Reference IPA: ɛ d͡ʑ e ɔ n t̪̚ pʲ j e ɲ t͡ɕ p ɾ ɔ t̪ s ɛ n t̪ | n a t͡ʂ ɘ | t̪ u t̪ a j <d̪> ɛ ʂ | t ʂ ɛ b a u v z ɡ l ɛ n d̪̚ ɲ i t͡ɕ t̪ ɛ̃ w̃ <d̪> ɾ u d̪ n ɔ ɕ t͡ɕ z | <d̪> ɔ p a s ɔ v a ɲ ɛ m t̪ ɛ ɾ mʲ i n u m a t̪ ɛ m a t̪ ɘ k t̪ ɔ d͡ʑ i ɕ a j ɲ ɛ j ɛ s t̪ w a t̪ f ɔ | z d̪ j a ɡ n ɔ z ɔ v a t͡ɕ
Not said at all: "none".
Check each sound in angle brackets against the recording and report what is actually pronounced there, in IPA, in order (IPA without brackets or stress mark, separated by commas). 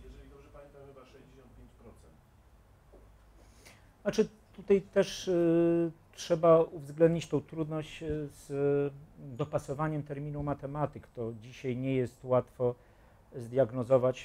t̪, t̪, d̪